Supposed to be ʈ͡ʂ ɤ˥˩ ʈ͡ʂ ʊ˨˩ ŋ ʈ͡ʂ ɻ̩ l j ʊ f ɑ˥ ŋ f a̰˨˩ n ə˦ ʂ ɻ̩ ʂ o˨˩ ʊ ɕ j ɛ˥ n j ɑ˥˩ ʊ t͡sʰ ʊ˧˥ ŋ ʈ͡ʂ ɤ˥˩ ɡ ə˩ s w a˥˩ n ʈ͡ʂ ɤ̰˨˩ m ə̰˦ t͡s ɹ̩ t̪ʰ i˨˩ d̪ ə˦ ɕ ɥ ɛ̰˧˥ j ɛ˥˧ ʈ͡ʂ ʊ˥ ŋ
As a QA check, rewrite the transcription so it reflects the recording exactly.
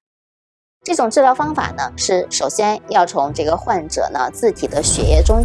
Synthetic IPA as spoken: ʈ͡ʂ ɤ˥˩ ʈ͡ʂ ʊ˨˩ ŋ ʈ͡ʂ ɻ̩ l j ʊ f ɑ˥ ŋ f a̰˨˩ n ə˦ ʂ ɻ̩ ʂ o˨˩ ʊ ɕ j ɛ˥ n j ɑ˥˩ ʊ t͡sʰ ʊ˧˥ ŋ ʈ͡ʂ ɤ˥˩ ɡ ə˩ x w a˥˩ n ʈ͡ʂ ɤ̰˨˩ n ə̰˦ t͡s ɹ̩ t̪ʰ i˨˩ d̪ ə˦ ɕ ɥ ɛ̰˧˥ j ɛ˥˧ ʈ͡ʂ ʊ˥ ŋ